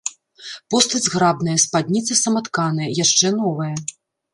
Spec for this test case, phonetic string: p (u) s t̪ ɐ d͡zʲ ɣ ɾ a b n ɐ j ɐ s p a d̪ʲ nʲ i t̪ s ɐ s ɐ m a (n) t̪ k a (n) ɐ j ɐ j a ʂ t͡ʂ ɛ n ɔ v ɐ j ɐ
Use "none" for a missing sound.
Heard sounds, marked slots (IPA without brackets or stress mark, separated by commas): ɔ, none, n